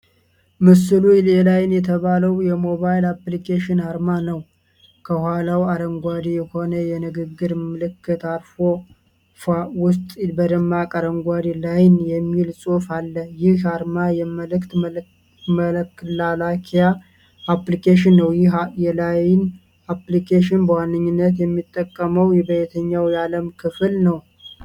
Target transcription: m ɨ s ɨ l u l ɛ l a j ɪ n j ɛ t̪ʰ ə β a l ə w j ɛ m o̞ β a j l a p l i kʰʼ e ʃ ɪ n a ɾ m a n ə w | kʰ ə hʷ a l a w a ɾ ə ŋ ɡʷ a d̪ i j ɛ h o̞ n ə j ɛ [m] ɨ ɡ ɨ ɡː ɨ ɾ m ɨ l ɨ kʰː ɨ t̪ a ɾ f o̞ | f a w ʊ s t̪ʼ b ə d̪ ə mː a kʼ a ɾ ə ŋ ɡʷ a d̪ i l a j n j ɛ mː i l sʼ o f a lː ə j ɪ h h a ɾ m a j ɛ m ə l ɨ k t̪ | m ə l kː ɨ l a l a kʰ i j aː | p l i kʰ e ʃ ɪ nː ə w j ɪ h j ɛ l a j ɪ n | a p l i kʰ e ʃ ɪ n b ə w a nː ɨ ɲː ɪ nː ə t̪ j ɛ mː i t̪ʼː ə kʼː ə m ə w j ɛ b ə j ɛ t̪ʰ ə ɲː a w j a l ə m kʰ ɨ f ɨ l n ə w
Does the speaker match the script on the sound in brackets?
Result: no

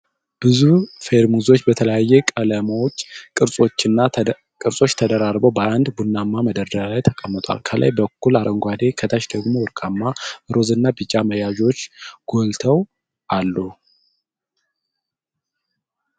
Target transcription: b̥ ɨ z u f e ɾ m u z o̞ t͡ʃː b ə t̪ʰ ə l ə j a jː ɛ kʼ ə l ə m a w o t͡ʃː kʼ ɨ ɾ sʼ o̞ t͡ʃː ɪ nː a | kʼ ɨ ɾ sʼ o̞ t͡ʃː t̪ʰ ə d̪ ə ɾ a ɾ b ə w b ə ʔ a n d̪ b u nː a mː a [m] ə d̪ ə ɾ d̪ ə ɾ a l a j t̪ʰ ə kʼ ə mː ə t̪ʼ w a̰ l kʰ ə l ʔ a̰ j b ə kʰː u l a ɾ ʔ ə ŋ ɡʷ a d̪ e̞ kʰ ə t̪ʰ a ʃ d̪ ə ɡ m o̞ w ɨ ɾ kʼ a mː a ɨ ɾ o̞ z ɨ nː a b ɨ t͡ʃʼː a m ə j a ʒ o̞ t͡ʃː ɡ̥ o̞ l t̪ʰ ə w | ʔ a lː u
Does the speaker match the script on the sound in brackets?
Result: yes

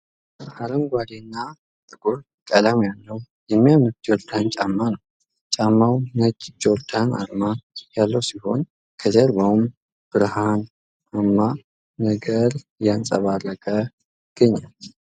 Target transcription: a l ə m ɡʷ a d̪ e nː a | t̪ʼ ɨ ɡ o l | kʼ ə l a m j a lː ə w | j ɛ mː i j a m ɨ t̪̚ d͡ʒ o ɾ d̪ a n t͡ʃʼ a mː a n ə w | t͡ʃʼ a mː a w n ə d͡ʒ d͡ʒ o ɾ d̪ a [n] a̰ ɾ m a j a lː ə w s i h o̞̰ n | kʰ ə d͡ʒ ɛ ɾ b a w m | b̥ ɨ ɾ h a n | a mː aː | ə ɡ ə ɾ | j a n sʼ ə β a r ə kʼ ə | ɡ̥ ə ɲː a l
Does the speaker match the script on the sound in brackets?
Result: yes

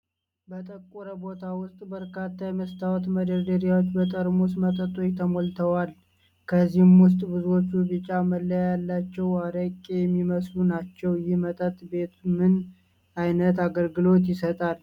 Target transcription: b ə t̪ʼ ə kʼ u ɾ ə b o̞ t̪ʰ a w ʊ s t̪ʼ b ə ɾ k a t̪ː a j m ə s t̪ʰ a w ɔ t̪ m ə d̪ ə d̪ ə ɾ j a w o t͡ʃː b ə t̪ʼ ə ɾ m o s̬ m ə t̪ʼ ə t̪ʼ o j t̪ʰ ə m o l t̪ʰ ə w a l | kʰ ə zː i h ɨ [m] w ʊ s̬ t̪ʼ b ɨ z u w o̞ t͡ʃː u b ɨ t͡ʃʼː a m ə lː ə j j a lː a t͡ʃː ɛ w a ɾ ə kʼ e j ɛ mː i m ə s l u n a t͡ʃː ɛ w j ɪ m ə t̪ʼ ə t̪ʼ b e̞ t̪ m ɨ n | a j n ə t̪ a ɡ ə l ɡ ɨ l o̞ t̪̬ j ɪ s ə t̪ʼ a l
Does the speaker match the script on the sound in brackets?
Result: yes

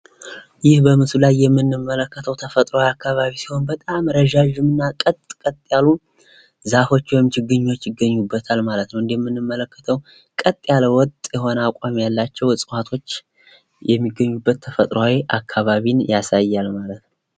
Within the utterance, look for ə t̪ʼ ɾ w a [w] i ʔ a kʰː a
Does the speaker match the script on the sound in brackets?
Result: yes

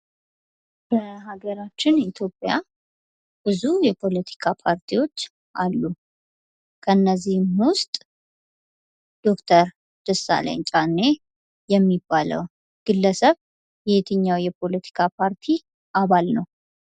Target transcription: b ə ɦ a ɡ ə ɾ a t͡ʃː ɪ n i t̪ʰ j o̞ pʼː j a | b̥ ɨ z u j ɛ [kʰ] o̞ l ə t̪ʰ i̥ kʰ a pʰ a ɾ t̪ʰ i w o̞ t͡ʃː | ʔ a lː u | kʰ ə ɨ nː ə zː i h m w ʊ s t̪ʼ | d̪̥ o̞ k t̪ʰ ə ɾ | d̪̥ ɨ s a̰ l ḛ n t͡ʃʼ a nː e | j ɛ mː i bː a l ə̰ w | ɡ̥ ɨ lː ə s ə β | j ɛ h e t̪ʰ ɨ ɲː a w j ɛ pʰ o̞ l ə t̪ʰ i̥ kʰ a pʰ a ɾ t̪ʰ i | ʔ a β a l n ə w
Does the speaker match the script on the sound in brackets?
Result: no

